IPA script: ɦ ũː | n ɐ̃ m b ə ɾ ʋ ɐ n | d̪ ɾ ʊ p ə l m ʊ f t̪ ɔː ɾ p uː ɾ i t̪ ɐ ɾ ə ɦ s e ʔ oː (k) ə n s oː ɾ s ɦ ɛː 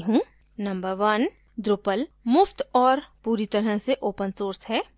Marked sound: incorrect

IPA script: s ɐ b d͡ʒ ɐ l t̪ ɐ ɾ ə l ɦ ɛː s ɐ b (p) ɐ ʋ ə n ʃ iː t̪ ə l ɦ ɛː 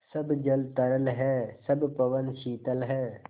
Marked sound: correct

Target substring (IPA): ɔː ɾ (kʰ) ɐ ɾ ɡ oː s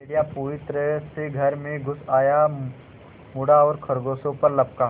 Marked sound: correct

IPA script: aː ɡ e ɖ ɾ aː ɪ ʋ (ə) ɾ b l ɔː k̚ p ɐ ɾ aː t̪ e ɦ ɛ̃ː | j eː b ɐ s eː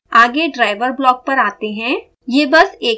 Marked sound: correct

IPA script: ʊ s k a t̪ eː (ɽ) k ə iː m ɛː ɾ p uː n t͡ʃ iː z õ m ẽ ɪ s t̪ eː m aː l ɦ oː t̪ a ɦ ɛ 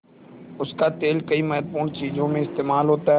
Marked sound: incorrect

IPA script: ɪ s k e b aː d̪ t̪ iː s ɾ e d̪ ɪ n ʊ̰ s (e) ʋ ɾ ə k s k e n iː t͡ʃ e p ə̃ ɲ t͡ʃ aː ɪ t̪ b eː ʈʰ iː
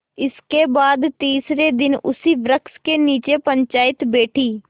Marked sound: incorrect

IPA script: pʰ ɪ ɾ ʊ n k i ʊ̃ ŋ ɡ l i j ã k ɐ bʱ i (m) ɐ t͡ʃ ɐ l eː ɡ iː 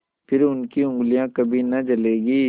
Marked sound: incorrect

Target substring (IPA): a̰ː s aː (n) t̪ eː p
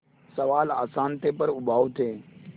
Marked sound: correct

